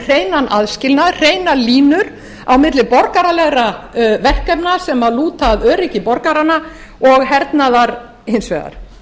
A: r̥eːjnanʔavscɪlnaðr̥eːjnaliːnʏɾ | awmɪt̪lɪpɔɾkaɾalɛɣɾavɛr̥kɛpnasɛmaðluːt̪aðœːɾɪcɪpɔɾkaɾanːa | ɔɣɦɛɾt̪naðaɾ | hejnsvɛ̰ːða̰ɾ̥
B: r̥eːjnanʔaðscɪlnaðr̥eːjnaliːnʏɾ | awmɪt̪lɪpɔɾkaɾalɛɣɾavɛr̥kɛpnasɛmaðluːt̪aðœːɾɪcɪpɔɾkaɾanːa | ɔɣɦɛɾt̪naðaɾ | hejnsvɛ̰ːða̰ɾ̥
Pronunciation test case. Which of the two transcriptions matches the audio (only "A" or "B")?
B